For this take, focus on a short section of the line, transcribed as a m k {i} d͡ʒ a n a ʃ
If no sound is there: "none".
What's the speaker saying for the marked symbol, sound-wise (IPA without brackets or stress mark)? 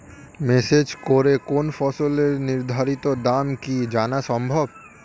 i